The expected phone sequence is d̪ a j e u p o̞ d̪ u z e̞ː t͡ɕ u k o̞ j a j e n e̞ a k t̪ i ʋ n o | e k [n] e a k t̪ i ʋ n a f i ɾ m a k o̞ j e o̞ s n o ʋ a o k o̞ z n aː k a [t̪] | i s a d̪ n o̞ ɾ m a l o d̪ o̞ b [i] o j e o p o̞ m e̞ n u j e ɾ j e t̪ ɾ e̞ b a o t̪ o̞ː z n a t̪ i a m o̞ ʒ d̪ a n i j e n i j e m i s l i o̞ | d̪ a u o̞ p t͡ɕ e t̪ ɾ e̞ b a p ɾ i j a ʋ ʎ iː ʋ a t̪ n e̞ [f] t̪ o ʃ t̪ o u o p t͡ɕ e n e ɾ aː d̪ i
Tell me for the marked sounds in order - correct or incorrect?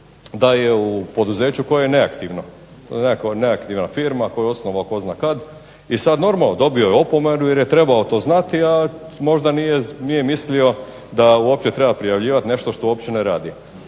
correct, incorrect: d̪, correct, incorrect: ʃ

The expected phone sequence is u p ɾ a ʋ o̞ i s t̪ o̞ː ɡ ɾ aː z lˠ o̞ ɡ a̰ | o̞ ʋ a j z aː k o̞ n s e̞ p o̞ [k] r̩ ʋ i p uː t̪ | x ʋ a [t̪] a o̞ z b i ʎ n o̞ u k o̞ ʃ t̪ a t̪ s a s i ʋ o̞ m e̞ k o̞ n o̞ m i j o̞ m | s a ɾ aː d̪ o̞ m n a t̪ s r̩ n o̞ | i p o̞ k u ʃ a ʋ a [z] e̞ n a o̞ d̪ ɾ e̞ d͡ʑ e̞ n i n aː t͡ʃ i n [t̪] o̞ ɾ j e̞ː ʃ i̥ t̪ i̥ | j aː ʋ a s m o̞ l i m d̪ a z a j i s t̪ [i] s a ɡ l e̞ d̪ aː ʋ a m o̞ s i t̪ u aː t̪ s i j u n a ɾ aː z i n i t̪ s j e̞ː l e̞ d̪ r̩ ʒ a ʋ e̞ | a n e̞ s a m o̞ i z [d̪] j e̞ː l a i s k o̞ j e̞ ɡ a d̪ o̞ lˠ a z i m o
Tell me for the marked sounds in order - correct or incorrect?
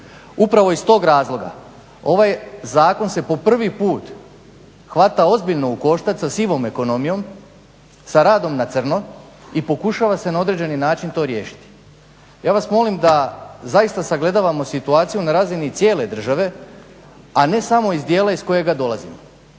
incorrect: p, correct, incorrect: s, correct, incorrect: a, correct

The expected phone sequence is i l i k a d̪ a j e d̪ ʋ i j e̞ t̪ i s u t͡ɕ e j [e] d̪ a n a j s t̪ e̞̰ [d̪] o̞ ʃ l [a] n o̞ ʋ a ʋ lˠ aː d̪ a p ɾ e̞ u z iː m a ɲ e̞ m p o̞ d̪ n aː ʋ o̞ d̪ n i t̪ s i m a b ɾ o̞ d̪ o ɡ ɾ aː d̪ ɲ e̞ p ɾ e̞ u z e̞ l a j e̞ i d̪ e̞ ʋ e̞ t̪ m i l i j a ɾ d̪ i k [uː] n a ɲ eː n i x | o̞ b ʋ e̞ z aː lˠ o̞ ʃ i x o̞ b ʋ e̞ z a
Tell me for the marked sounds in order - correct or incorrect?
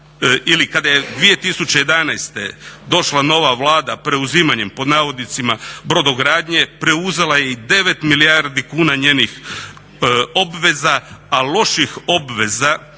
correct, correct, correct, correct

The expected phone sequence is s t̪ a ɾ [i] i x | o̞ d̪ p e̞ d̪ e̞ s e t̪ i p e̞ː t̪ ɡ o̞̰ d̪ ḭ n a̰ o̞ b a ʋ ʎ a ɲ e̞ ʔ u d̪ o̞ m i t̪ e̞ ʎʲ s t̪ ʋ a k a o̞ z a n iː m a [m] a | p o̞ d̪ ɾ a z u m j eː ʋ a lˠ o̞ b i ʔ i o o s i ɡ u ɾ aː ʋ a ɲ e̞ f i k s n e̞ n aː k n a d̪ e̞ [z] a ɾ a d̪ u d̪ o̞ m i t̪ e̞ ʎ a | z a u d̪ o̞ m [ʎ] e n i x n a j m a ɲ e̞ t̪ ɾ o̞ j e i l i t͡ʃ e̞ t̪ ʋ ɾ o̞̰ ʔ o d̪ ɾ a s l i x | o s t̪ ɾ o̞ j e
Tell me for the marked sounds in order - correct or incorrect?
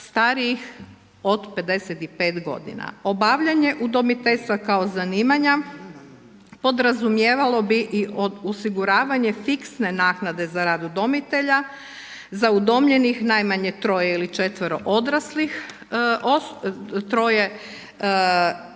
correct, incorrect: ɲ, correct, correct

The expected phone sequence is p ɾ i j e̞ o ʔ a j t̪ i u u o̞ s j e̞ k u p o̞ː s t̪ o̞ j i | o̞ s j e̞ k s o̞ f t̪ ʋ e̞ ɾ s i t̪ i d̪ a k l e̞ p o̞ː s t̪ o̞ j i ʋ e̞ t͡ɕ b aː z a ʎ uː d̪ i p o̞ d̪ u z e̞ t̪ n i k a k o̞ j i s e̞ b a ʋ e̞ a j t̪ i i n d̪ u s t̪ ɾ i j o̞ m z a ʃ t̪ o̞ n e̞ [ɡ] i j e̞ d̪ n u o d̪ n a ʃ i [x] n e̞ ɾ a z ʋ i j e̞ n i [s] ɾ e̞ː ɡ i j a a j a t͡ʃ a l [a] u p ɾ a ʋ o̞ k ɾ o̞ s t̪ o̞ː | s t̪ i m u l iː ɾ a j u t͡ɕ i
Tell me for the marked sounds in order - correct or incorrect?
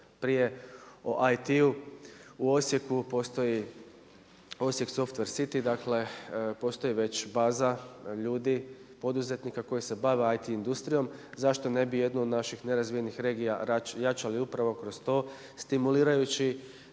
incorrect: b, correct, incorrect: x, incorrect: i

